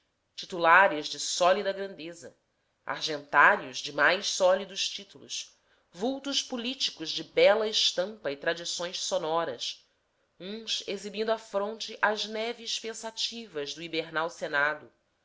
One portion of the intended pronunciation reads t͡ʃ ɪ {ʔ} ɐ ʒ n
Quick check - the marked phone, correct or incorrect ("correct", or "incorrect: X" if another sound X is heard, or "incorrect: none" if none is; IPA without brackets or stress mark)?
correct